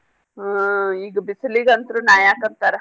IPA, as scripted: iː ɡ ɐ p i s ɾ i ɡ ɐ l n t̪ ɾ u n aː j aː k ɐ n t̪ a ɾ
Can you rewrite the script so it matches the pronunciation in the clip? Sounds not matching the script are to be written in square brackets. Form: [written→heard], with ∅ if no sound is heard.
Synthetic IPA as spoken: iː ɡ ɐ [p→b] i s [ɾ→l] i ɡ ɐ [l→∅] n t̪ ɾ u n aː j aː k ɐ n t̪ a ɾ